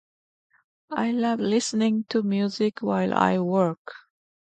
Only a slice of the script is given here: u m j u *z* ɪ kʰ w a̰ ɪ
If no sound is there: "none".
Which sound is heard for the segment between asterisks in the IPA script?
z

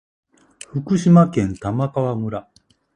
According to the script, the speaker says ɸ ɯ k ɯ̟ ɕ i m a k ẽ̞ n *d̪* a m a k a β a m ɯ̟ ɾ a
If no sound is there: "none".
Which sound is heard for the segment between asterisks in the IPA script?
t̪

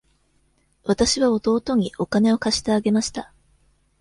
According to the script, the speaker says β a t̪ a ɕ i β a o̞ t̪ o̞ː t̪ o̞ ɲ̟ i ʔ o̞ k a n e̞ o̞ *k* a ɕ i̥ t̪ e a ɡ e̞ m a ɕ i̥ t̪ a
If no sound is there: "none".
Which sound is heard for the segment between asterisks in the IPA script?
k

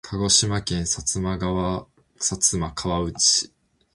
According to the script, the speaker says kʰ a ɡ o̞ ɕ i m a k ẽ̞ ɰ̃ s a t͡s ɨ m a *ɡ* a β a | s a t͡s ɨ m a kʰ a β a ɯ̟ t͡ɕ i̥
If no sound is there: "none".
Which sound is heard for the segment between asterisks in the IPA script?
ɡ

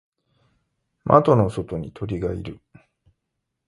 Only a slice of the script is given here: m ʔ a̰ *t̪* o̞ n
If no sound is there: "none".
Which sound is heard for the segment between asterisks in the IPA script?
t̪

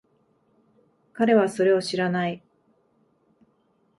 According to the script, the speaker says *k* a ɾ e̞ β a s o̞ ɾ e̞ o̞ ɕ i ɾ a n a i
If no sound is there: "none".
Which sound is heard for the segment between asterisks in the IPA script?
k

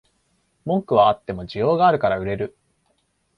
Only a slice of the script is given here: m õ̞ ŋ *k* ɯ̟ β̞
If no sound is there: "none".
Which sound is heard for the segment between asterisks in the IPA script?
k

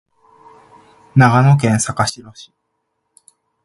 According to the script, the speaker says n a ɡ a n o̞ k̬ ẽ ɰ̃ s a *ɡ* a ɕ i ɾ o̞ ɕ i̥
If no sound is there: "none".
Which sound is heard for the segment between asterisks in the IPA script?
k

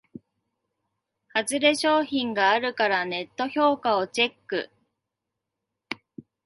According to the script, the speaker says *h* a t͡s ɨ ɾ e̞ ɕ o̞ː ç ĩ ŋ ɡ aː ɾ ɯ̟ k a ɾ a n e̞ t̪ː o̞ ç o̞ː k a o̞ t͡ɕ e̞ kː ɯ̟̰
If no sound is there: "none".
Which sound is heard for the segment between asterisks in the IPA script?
h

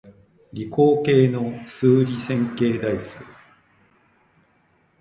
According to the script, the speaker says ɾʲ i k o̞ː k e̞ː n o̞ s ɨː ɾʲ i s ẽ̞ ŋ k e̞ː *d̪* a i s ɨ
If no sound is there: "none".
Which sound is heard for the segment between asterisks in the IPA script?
d̪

